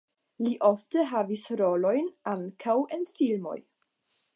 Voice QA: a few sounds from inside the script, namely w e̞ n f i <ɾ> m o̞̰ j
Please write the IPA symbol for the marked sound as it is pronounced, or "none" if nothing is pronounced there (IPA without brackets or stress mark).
l